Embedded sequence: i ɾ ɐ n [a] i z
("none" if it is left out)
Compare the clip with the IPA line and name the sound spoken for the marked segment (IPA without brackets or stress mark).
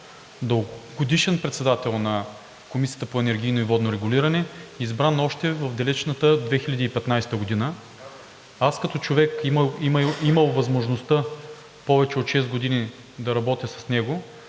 ɛ